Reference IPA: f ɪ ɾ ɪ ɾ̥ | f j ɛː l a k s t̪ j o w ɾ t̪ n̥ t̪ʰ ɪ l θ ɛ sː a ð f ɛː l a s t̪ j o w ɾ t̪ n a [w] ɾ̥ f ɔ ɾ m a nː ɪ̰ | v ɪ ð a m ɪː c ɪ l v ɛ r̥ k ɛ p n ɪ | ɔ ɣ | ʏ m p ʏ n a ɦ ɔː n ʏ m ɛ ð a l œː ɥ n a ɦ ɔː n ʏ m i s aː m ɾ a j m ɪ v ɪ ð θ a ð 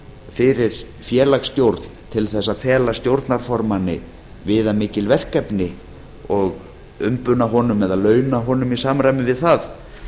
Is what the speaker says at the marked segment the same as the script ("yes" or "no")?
no